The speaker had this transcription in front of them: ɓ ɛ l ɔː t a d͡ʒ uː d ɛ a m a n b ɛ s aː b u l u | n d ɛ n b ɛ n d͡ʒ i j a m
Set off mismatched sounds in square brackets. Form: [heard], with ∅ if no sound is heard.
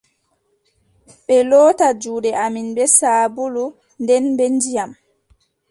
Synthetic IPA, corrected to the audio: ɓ ɛ l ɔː t a d͡ʒ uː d ɛ a m [i] n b ɛ s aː b u l u | n d ɛ n b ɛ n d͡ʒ i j a m